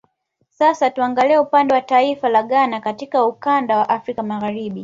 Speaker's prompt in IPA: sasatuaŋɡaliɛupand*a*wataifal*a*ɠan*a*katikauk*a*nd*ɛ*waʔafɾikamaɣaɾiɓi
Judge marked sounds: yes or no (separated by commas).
no, yes, yes, yes, no